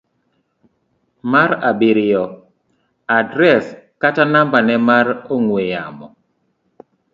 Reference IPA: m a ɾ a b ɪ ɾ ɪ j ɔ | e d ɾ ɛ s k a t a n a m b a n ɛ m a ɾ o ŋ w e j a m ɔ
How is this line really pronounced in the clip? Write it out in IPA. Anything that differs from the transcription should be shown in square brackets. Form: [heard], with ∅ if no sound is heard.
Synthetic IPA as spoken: m a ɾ a b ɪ ɾ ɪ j ɔ | [a] d ɾ ɛ s k a t a n a m b a n ɛ m a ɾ o ŋ w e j a m ɔ